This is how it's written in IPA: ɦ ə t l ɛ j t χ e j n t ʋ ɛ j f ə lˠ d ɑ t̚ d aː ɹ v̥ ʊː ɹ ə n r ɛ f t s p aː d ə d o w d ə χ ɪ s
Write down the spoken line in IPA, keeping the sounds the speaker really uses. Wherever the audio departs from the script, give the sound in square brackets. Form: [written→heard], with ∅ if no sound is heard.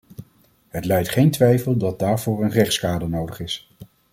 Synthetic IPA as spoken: ɦ ə t l ɛ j t χ e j n t ʋ ɛ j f ə lˠ d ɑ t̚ d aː ɹ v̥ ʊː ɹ ə n r ɛ [f→χ] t s [p→k] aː d ə [d→n] o w d ə χ ɪ s